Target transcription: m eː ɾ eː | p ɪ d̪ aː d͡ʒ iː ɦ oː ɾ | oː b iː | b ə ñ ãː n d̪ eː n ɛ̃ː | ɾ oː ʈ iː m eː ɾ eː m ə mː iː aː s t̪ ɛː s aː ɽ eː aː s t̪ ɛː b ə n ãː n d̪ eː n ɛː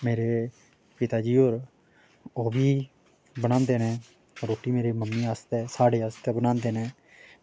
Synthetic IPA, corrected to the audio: m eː ɾ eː | p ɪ t̪ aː d͡ʒ iː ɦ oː ɾ | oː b iː | b ə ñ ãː n d̪ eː n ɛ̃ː | ɾ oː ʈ iː m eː ɾ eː m ə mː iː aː s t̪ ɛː s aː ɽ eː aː s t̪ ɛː b ə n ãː n d̪ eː n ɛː

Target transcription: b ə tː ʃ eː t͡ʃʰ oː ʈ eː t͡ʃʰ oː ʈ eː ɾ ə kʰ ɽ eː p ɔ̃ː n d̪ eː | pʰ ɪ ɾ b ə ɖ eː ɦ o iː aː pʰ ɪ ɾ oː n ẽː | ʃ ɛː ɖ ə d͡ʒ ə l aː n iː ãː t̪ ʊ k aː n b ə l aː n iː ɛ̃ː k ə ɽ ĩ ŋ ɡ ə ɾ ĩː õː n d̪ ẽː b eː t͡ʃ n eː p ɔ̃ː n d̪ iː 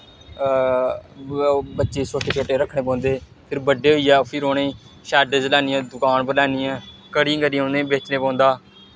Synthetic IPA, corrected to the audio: b ə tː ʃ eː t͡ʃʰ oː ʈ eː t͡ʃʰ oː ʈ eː ɾ ə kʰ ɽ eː p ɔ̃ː n d̪ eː | pʰ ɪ ɾ b ə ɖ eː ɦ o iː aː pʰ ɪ ɾ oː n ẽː | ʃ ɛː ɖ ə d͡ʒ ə l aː n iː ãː d̪ ʊ k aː n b ə l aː n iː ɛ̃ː k ə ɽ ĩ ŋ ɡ ə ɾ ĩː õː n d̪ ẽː b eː t͡ʃ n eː p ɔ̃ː n d̪ aː

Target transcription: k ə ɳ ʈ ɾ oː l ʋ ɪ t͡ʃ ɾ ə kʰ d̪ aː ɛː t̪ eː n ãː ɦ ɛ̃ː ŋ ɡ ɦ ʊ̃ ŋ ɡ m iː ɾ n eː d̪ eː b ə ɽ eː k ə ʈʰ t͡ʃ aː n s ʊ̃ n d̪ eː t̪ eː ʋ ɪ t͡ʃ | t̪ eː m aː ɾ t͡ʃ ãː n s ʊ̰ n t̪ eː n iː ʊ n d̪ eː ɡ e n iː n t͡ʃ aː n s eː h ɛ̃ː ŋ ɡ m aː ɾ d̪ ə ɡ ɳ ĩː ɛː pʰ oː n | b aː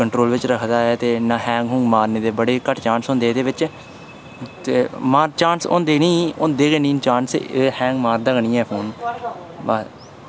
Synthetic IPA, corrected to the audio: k ə ɳ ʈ ɾ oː l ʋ ɪ t͡ʃ ɾ ə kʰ d̪ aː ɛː t̪ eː n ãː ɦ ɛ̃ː ŋ ɡ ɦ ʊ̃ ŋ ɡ m aː ɾ n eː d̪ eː b ə ɽ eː k ə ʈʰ t͡ʃ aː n s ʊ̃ n d̪ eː d̪ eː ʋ ɪ t͡ʃ | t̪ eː m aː ɾ t͡ʃ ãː n s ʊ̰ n d̪ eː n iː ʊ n d̪ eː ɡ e n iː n t͡ʃ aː n s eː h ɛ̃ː ŋ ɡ m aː ɾ d̪ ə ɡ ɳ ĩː ɛː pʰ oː n | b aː

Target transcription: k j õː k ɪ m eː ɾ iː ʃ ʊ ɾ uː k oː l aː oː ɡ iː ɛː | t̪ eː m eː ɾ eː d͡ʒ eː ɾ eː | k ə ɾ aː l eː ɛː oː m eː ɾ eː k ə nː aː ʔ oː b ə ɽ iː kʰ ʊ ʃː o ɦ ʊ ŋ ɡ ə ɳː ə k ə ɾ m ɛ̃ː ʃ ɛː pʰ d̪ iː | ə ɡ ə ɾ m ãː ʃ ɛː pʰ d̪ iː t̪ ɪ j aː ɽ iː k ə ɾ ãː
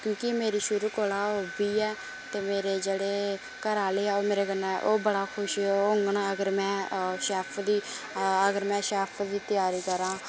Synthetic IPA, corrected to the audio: k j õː k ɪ m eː ɾ iː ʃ ʊ ɾ uː k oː l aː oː b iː ɛː | t̪ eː m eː ɾ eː d͡ʒ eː ɽ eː | k ə ɾ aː l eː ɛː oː m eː ɾ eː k ə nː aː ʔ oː b ə ɽ aː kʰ ʊ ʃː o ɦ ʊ ŋ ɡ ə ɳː ə ɡ ə ɾ m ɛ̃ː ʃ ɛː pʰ d̪ iː | ə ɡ ə ɾ m ɛ̃ː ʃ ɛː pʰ d̪ iː t̪ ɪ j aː ɾ iː k ə ɾ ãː

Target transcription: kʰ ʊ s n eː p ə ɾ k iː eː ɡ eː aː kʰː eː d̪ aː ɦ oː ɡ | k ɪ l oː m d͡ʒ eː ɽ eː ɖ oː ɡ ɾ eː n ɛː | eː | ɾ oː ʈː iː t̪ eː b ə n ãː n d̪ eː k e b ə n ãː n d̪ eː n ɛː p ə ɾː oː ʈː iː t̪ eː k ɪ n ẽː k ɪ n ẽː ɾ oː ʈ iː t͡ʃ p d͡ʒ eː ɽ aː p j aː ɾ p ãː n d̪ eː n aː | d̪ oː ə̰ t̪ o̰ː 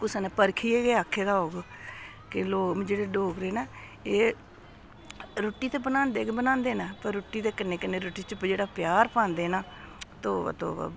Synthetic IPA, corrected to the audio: k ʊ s n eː p ə ɾ kʰ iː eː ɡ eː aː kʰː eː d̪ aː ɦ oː ɡ | k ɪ l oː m d͡ʒ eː ɽ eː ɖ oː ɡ ɾ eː n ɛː | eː | ɾ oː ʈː iː t̪ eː b ə n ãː n d̪ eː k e b ə n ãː n d̪ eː n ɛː p ə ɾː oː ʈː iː t̪ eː k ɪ n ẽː k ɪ n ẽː ɾ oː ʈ iː t͡ʃ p d͡ʒ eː ɽ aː p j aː ɾ p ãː n d̪ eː n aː | t̪ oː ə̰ t̪ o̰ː

